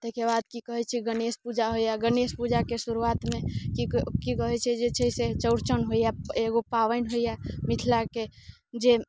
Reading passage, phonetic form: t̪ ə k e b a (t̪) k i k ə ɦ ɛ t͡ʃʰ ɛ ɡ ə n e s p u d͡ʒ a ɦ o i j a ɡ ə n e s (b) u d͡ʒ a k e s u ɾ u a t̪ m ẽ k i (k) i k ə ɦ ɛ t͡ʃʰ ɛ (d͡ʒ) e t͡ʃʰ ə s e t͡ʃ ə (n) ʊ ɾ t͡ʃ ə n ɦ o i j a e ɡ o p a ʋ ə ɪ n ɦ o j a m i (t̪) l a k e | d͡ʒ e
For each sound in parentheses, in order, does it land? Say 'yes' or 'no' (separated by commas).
no, no, yes, yes, no, no